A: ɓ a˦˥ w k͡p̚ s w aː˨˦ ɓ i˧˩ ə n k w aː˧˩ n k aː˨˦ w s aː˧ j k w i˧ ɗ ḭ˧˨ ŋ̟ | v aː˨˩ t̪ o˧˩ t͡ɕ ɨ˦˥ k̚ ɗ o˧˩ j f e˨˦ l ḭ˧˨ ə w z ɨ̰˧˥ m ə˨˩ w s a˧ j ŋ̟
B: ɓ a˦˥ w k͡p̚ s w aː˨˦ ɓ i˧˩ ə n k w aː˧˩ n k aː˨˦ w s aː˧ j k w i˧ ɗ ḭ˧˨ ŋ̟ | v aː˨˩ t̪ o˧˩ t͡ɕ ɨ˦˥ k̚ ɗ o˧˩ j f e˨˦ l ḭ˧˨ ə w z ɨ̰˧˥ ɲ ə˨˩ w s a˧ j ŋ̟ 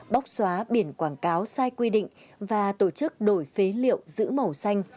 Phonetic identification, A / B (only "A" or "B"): A